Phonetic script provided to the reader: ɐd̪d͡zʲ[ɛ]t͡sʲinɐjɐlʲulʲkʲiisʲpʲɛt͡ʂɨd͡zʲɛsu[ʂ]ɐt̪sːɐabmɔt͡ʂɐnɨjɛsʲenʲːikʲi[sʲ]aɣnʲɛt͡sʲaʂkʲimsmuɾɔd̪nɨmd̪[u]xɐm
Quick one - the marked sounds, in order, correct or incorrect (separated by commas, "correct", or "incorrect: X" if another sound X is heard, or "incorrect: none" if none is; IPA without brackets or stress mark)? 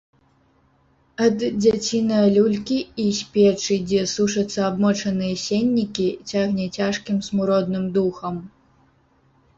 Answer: incorrect: a, correct, incorrect: t͡sʲ, correct